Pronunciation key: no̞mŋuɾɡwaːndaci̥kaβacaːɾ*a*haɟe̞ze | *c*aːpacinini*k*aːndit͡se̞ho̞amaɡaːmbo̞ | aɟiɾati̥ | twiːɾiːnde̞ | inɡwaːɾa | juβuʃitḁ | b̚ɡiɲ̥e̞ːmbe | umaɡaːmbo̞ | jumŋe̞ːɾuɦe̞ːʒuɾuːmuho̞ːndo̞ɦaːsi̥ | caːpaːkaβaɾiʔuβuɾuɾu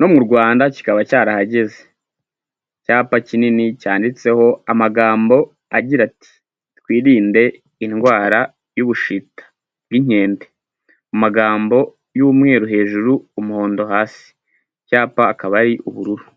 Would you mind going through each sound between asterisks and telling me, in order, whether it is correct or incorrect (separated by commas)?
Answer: correct, correct, incorrect